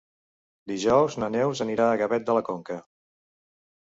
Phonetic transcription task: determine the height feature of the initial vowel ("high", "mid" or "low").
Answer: high